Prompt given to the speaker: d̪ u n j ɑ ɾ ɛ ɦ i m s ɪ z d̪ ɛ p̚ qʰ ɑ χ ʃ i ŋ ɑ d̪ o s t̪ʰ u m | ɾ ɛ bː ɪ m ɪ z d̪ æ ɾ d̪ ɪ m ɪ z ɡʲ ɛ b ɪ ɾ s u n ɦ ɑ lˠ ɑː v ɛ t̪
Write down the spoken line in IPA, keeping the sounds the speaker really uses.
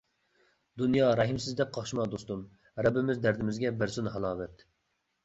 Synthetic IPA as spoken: d̪ u n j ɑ ɾ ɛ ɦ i m s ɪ z d̪ ɛ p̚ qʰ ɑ χ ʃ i m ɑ d̪ o s t̪ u m | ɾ ɛ bː ɪ m ɪ z d̪ æ ɾ d̪ ɪ m ɪ z ɡʲ ɛ b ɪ ɾ s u n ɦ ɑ lˠ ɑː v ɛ t̪